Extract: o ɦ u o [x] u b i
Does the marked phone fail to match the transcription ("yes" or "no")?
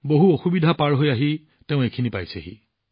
no